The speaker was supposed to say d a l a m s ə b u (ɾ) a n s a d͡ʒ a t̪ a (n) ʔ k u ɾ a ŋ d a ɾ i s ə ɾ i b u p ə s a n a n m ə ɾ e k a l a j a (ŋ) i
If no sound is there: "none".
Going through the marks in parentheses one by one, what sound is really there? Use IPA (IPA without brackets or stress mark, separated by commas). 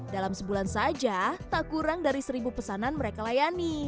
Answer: l, none, n